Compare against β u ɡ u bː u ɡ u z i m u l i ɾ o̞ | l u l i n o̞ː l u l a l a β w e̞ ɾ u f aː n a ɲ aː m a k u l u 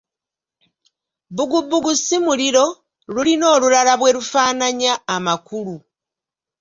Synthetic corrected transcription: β u ɡ u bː u ɡ u s i m u l i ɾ o̞ | l u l i n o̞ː l u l a l a β w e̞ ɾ u f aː n a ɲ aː m a k u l u